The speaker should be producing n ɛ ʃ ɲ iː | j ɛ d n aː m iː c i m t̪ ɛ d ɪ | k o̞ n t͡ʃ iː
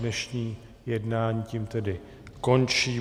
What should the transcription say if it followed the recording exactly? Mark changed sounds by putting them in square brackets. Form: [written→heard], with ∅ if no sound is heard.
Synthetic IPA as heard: n ɛ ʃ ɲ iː | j ɛ d n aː [m→ɲ] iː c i m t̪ ɛ d ɪ | k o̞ n t͡ʃ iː